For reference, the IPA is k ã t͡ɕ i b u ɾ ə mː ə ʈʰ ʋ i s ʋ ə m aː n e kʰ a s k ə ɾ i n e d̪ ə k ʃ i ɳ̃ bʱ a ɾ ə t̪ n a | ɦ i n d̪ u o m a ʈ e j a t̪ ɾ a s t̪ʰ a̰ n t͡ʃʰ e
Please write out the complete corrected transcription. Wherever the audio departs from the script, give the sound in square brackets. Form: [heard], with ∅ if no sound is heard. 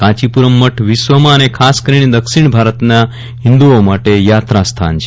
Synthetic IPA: k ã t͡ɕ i [p] u ɾ ə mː ə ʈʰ ʋ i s ʋ ə m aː n e kʰ a s k ə ɾ i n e d̪ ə k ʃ i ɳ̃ bʱ a ɾ ə t̪ n a | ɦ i n d̪ u o m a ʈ e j a t̪ ɾ a s t̪ʰ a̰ n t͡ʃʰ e